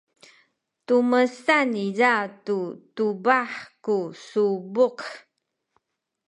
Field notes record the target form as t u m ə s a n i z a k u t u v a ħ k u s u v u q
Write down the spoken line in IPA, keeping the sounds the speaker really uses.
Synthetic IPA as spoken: t u m ə s a n i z a t u t u b a ħ k u s u b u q